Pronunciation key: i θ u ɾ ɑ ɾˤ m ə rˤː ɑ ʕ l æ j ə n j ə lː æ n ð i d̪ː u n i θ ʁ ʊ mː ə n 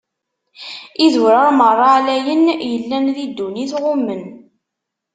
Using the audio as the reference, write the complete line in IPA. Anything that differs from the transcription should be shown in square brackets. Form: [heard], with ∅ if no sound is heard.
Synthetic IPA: i [ð] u ɾ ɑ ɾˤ m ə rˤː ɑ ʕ l æ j ə n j ə lː æ n ð i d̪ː u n i θ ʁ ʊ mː ə n